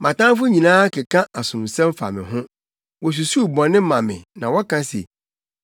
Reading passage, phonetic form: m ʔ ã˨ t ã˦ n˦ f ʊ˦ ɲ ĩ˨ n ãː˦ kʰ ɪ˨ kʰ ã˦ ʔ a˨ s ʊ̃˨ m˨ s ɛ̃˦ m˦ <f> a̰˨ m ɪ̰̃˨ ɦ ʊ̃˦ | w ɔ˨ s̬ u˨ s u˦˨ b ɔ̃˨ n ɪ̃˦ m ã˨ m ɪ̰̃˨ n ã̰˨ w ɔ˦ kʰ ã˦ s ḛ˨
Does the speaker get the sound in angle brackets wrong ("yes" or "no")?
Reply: no